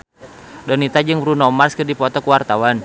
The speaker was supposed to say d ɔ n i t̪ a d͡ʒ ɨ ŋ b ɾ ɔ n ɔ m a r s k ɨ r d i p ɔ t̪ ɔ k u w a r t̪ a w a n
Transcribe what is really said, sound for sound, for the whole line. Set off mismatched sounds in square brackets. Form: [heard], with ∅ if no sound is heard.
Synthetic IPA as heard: d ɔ n i t̪ a d͡ʒ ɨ ŋ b ɾ [u] n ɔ m a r s k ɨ r d i p ɔ t̪ ɔ k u w a r t̪ a w a n